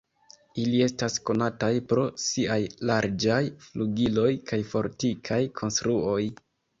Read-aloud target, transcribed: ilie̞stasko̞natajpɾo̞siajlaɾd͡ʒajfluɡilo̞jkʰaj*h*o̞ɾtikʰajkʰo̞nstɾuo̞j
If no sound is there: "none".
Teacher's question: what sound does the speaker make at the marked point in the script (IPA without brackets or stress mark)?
f